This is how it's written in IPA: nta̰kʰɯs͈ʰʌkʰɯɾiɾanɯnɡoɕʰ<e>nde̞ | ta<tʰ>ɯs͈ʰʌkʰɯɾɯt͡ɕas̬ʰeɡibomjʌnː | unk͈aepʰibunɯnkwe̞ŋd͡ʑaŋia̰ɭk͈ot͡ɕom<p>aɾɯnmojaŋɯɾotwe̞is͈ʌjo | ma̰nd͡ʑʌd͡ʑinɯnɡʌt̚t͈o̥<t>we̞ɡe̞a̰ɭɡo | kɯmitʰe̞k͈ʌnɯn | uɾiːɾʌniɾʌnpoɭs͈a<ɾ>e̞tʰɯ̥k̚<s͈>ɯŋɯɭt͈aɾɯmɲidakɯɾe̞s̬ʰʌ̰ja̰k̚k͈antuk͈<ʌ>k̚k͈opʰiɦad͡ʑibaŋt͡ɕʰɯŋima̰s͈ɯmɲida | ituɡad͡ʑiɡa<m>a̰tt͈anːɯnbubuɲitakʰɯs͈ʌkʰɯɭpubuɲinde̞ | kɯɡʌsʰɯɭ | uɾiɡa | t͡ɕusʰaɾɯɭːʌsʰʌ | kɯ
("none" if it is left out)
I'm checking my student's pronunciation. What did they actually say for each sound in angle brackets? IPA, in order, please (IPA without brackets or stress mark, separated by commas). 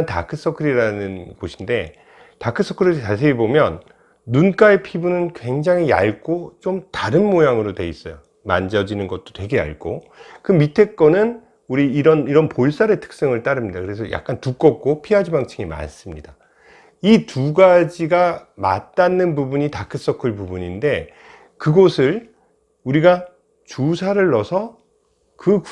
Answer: i, kʰ, t, t, ɾ, s͈, ʌ, m